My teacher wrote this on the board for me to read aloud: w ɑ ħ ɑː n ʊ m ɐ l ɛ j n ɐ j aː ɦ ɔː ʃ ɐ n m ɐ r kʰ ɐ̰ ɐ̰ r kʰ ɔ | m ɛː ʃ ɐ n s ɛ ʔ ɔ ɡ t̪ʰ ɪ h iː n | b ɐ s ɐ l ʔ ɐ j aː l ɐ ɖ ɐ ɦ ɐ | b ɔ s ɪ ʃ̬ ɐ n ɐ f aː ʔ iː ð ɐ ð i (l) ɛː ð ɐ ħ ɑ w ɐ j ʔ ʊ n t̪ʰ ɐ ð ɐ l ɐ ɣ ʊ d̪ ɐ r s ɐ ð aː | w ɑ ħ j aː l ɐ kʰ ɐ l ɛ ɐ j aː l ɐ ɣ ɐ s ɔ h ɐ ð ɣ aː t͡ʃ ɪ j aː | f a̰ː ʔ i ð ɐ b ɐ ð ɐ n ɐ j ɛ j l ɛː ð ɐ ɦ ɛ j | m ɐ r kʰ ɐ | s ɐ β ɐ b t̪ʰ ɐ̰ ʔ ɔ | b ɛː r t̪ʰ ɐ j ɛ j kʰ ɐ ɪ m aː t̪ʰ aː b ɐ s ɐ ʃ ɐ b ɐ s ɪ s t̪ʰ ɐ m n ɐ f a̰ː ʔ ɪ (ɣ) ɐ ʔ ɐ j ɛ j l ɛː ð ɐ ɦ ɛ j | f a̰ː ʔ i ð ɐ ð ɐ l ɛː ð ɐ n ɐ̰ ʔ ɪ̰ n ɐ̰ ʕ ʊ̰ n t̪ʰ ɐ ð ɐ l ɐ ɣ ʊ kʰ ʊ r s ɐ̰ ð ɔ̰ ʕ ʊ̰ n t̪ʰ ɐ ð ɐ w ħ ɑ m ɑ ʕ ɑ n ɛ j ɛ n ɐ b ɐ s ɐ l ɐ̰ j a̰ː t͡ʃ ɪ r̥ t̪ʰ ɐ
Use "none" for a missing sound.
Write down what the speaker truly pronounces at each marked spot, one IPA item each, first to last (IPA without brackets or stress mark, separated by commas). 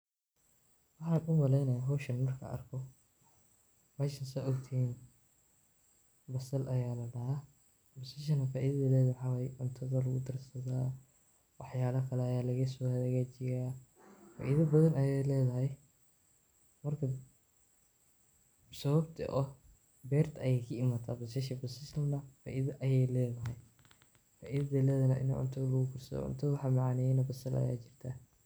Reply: l, ð